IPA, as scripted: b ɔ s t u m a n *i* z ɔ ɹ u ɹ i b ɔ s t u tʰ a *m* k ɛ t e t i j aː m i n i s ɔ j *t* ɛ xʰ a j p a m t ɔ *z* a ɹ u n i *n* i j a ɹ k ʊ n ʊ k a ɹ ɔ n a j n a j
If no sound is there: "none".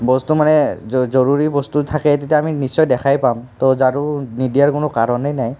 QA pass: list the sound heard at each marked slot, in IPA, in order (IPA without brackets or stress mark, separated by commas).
ɛ, none, d, z, d